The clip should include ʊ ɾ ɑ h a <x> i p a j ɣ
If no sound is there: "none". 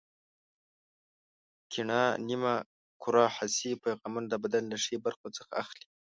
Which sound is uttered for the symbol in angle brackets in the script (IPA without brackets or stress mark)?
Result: s